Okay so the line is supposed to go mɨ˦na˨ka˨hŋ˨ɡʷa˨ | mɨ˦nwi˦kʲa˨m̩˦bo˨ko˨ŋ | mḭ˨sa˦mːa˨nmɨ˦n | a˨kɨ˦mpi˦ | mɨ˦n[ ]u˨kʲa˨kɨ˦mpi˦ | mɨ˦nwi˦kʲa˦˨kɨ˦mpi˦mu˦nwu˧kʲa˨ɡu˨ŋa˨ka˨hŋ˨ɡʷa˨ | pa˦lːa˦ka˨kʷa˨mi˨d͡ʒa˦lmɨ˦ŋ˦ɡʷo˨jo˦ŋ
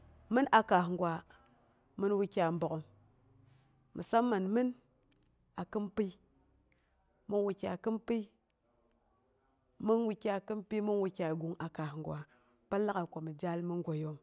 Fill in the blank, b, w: w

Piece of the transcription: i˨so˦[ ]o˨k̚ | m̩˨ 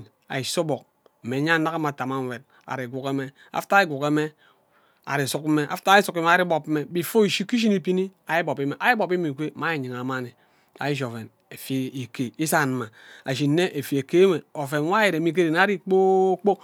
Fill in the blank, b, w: b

